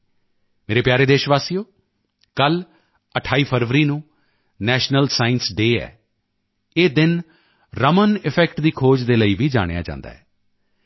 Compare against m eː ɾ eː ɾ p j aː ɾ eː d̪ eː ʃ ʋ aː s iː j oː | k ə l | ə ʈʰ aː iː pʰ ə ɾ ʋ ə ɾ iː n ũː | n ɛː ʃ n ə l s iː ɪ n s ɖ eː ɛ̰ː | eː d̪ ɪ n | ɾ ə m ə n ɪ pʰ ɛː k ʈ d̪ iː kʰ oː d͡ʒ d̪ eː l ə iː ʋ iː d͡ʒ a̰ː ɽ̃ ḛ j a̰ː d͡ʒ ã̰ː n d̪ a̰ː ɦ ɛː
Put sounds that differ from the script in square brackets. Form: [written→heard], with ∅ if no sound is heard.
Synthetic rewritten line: m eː ɾ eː [ɾ→∅] p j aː ɾ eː d̪ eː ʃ ʋ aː s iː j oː | k ə l | ə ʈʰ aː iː pʰ ə ɾ ʋ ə ɾ iː n ũː | n ɛː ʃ n ə l s [iː→aː] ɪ n s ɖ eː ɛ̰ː | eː d̪ ɪ n | ɾ ə m ə n ɪ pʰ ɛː k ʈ d̪ iː kʰ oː d͡ʒ d̪ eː l ə iː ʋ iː d͡ʒ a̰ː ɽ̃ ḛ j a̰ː d͡ʒ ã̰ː n d̪ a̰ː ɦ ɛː